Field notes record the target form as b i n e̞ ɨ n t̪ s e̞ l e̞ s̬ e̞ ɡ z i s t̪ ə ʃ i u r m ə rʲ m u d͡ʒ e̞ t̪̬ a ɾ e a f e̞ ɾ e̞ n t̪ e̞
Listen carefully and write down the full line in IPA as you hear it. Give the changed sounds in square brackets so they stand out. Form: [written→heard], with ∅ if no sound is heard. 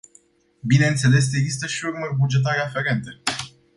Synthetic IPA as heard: b i n e̞ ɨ n t̪ s e̞ l e̞ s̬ e̞ ɡ z i s t̪ ə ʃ i u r m ə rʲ [m→b] u d͡ʒ e̞ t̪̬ a ɾ e a f e̞ ɾ e̞ n t̪ e̞